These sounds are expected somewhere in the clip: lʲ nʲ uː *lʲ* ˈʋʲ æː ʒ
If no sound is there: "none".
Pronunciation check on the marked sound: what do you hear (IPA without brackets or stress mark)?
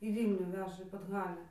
none